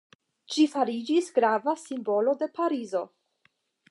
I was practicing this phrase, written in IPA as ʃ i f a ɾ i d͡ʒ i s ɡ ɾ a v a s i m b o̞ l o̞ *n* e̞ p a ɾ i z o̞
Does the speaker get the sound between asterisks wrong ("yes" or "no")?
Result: yes